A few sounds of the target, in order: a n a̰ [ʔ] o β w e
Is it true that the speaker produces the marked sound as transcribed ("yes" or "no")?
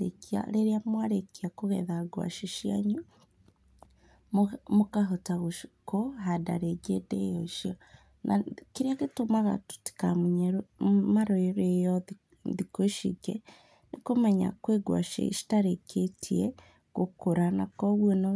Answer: no